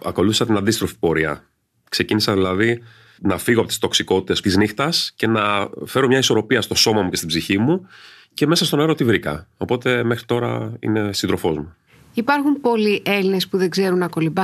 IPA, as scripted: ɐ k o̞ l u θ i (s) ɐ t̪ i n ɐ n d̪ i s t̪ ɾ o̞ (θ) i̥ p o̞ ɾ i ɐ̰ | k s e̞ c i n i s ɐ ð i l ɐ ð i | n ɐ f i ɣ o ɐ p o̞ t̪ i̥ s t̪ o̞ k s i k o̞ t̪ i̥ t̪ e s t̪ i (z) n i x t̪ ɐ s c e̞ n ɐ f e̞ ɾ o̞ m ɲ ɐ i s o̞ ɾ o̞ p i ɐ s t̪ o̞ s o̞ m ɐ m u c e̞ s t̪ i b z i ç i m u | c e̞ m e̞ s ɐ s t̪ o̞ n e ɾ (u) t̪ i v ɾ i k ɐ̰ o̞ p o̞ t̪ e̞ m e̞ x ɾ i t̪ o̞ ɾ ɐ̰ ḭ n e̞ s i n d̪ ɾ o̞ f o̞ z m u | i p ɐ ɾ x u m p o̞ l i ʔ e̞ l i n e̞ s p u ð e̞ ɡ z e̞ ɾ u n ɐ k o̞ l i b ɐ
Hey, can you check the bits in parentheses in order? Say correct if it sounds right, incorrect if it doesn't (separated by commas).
correct, incorrect, correct, incorrect